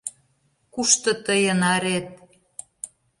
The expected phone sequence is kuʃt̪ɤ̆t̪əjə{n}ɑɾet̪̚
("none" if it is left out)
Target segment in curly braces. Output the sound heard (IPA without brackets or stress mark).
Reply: n